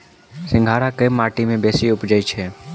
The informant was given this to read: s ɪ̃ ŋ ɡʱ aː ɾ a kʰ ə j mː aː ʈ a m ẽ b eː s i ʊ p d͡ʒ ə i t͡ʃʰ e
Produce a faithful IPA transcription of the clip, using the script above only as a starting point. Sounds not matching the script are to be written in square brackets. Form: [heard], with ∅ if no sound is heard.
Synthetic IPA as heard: s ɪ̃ ŋ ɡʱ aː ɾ a [k] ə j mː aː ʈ [i] m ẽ b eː s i ʊ p d͡ʒ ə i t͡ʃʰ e